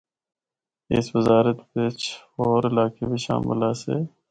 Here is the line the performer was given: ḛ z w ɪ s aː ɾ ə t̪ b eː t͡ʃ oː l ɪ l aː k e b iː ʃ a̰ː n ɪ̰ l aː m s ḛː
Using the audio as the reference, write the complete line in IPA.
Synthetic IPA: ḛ s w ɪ z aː ɾ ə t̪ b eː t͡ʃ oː ɾ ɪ l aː k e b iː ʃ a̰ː m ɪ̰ l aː s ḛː